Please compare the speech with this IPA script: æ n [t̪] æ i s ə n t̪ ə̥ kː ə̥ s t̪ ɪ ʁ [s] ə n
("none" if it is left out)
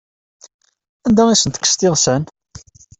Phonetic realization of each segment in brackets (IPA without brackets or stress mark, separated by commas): d̪, s